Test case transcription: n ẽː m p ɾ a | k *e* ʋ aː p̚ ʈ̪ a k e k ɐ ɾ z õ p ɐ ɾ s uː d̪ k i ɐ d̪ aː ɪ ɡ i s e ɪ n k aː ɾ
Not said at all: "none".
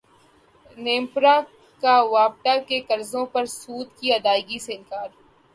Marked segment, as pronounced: a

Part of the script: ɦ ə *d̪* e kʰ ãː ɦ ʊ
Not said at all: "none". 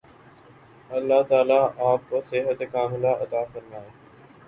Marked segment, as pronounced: t̪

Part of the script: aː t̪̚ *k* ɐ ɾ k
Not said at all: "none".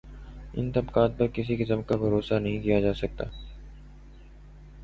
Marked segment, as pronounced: p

